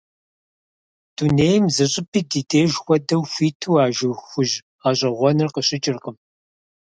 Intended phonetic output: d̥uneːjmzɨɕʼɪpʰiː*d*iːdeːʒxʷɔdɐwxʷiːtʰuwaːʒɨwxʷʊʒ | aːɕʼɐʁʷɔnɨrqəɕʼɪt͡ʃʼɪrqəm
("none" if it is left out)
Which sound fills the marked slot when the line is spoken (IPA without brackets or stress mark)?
d